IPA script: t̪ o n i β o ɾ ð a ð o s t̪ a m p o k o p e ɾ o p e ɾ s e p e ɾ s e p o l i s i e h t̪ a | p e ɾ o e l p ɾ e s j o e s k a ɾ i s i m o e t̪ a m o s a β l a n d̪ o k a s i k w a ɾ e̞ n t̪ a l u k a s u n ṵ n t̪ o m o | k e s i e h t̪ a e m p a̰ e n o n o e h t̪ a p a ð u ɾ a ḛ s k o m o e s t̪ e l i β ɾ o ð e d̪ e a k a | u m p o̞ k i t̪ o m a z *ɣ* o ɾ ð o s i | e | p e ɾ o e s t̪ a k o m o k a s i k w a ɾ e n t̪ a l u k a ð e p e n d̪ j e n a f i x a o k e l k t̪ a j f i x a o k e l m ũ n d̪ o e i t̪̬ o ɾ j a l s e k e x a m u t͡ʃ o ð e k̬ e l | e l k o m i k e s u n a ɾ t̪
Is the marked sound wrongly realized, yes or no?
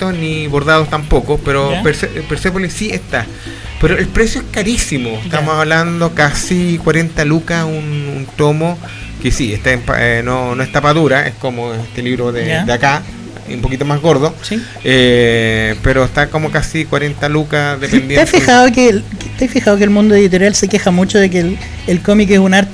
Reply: no